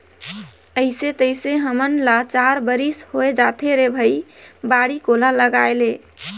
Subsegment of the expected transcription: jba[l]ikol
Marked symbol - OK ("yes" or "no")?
no